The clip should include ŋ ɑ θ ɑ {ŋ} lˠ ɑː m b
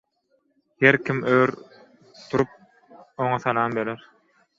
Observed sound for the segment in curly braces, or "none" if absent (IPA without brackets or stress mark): none